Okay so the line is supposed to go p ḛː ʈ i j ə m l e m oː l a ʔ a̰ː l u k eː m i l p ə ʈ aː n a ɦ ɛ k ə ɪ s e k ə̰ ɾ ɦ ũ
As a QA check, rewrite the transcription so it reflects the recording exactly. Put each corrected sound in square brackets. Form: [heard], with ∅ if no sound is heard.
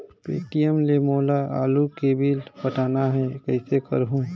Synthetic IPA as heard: p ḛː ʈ i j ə m l e m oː l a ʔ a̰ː l u k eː [b] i l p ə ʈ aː n a ɦ ɛ k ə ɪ s e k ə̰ ɾ ɦ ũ